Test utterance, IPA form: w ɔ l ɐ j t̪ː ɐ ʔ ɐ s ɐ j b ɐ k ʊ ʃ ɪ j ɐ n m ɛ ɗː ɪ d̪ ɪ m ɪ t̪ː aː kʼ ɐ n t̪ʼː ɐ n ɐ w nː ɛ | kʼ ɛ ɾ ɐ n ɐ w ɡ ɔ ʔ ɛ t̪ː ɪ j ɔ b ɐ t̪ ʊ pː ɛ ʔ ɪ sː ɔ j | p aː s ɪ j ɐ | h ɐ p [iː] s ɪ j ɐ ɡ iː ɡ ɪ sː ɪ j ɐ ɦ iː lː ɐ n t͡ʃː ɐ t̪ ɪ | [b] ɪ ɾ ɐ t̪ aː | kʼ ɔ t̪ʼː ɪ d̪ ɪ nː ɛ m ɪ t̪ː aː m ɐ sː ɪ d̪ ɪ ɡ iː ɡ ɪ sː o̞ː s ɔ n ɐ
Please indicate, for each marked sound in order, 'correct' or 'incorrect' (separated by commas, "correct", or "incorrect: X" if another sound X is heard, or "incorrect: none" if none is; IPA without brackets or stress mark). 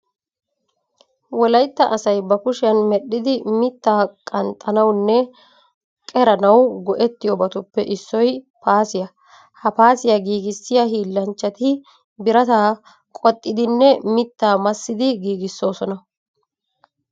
incorrect: aː, correct